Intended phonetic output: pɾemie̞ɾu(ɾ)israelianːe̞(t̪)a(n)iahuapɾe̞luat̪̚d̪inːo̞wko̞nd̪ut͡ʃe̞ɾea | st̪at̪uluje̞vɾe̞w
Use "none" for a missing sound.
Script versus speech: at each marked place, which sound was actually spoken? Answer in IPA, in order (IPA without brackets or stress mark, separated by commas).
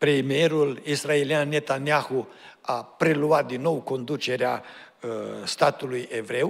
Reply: l, t̪, n